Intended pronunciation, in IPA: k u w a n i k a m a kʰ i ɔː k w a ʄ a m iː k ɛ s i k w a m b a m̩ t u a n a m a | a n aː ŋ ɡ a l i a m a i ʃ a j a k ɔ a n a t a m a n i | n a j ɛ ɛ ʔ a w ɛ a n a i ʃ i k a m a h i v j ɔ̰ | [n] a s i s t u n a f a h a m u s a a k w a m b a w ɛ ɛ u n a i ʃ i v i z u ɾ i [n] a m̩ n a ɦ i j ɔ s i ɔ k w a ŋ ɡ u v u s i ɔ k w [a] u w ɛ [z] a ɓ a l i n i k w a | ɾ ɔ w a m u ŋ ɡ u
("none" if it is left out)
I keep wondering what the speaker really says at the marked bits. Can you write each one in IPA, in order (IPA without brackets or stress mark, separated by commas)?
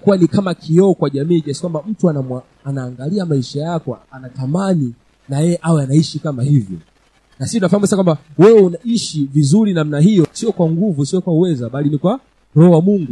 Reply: n, n, a, z